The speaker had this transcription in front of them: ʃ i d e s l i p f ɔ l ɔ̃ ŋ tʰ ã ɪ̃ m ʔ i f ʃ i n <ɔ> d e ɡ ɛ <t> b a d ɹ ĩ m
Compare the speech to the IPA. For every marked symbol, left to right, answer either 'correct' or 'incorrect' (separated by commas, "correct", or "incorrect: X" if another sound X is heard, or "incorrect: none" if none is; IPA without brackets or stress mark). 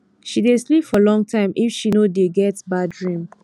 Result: incorrect: o, correct